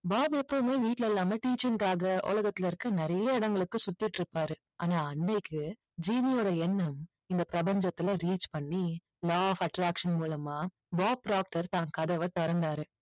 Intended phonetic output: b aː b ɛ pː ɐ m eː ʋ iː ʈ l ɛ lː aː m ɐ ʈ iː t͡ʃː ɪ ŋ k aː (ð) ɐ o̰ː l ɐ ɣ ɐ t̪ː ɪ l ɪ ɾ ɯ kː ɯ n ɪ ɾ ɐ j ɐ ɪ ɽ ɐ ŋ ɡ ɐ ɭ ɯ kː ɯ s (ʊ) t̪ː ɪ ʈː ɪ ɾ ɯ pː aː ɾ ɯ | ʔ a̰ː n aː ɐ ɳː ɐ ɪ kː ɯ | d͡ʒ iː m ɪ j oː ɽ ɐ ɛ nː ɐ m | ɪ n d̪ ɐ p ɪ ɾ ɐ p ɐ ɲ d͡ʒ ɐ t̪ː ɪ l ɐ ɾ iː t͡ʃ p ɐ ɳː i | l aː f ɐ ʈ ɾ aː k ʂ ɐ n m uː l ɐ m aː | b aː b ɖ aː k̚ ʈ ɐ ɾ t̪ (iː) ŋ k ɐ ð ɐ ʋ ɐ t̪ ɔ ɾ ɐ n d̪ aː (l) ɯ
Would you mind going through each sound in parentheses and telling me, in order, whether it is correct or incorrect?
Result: incorrect: ɣ, correct, incorrect: aː, incorrect: ɾ

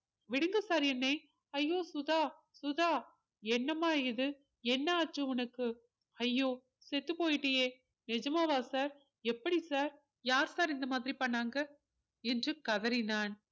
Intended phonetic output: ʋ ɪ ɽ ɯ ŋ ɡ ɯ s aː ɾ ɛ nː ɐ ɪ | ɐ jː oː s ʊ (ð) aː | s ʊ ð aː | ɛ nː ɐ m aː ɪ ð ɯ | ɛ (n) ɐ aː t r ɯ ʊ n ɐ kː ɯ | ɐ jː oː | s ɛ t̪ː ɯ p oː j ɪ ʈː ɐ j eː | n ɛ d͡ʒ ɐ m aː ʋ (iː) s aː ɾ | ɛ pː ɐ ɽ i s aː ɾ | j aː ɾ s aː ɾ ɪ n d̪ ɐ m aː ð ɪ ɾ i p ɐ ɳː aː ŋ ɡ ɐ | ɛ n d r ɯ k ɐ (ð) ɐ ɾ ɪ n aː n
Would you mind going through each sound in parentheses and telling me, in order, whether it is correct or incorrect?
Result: correct, incorrect: nː, incorrect: aː, correct

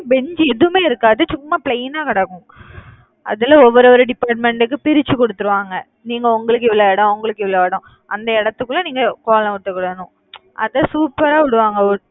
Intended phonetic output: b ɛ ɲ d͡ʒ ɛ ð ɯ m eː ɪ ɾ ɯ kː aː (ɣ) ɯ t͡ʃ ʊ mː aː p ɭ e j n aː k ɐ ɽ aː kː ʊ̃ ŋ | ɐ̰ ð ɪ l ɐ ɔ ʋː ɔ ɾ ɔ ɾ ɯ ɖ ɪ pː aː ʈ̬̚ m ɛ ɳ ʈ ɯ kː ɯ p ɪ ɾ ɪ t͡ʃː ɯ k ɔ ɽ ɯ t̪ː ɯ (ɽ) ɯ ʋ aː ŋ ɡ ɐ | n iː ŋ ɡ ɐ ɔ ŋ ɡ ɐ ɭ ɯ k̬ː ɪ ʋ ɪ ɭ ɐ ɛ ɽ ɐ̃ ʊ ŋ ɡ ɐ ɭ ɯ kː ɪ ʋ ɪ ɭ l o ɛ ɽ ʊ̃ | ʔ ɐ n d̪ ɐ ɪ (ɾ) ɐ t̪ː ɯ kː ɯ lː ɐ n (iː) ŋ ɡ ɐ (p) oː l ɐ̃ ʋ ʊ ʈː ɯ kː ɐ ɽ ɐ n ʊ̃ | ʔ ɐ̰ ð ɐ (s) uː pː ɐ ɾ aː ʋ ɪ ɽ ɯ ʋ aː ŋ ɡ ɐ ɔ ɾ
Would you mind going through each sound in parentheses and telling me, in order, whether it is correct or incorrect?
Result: incorrect: ð, incorrect: ɾ, incorrect: ɽ, correct, incorrect: k, correct

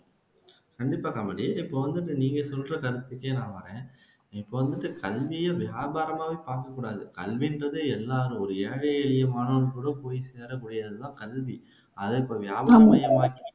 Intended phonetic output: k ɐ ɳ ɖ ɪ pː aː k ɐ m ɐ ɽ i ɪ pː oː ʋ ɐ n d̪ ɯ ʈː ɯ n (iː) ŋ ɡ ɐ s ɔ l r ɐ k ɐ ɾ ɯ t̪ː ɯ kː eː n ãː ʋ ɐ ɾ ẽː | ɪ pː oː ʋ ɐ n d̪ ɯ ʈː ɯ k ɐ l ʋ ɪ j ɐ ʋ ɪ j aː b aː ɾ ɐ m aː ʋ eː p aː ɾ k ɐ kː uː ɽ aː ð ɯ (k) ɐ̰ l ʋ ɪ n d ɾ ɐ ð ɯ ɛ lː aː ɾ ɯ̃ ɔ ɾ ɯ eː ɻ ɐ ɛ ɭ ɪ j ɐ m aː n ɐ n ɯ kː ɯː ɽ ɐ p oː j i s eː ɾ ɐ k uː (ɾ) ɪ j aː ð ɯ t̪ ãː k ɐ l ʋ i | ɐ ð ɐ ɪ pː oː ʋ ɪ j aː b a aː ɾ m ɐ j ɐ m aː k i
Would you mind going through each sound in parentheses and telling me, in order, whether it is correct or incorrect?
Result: correct, correct, incorrect: ɽ

